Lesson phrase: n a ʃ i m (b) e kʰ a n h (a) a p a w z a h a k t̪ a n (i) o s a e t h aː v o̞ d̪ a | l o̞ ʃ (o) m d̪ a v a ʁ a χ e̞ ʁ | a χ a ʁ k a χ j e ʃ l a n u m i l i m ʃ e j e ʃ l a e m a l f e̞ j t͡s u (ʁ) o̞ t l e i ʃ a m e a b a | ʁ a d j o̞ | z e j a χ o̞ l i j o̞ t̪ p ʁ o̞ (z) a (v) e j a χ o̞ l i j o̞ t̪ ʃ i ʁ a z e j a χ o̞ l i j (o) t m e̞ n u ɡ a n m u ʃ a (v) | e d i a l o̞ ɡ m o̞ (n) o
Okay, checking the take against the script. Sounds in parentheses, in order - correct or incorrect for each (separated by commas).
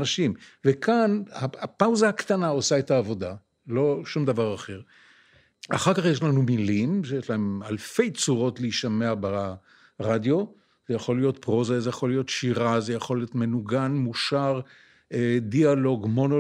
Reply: incorrect, correct, incorrect, incorrect, correct, correct, incorrect, correct, incorrect, correct